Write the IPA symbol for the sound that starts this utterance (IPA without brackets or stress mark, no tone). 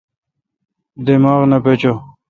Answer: d̪